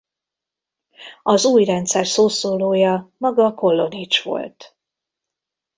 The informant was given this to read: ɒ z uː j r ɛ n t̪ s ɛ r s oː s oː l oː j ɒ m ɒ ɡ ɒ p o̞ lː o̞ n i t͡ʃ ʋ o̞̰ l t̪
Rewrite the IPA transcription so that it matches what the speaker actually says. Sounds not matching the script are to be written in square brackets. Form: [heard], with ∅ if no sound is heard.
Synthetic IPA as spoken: ɒ z uː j r ɛ n t̪ s ɛ r s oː s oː l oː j ɒ m ɒ ɡ ɒ [k] o̞ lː o̞ n i t͡ʃ ʋ o̞̰ l t̪